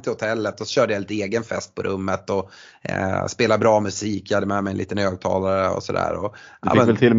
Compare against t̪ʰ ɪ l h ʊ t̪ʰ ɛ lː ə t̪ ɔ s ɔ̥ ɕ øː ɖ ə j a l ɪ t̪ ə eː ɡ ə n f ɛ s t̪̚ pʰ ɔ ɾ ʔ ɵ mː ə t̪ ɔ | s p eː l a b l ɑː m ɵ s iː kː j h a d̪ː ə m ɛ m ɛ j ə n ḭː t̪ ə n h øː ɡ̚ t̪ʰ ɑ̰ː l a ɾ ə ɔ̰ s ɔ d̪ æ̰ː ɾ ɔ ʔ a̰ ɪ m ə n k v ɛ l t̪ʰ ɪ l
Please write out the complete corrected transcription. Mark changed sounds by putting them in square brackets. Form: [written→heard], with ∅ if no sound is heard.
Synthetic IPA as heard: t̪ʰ ɪ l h ʊ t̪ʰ ɛ lː ə t̪ ɔ s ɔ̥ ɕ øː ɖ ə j a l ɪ t̪ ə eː ɡ ə n f ɛ s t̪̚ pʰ ɔ ɾ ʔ ɵ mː ə t̪ ɔ | s p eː l a b [l→ɾ] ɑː m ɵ s iː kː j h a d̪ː ə m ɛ m ɛ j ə n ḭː t̪ ə n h øː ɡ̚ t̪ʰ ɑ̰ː l a ɾ ə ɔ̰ s ɔ d̪ æ̰ː ɾ ɔ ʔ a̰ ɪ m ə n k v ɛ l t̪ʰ ɪ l